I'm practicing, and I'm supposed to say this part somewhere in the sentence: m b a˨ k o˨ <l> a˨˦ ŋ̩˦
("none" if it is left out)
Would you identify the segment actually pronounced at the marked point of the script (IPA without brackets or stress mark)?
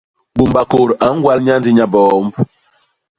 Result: ɾ